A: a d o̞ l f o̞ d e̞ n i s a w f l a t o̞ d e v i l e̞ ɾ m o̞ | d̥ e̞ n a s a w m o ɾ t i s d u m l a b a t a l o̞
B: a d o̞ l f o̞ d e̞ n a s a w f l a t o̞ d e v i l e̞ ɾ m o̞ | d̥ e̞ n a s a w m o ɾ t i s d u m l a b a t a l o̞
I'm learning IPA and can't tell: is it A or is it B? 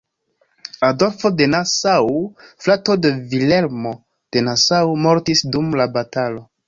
B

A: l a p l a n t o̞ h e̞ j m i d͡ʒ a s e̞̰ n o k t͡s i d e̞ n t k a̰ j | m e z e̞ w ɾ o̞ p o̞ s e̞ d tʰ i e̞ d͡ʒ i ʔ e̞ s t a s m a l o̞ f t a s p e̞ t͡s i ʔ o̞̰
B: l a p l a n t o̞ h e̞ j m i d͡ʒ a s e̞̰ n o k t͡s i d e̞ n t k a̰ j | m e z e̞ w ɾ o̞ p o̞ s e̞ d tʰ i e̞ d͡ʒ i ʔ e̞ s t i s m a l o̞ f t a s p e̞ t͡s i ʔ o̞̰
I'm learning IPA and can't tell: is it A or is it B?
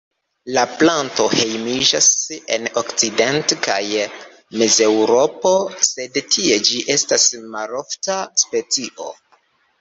A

